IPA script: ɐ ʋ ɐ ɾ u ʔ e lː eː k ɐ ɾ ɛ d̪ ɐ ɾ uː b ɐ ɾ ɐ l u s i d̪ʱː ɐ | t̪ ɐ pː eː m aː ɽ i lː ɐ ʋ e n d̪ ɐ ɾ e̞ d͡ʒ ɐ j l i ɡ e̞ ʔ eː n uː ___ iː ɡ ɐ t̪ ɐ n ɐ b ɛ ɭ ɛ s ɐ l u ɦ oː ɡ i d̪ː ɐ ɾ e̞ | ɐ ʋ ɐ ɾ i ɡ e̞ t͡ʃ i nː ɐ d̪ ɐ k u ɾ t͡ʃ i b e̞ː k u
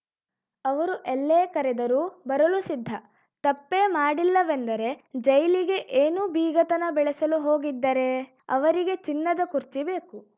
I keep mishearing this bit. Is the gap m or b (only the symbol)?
b